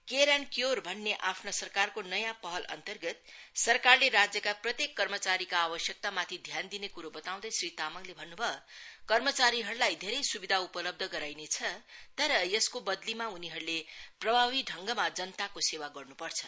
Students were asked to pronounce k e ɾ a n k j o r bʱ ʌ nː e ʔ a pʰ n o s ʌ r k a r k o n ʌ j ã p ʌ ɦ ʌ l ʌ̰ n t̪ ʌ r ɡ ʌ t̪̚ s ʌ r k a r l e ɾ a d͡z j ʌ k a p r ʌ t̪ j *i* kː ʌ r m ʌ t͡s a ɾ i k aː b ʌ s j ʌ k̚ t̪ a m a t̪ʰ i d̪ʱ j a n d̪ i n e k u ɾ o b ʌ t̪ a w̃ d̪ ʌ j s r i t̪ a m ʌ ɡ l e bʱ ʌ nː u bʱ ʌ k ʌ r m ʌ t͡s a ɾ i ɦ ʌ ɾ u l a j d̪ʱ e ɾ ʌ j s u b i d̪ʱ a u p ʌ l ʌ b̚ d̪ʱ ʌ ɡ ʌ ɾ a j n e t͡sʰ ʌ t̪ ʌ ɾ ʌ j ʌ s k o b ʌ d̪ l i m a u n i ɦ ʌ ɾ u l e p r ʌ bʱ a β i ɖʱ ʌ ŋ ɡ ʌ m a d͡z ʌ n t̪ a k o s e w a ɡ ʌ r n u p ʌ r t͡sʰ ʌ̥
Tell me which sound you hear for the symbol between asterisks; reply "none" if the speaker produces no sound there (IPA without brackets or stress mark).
e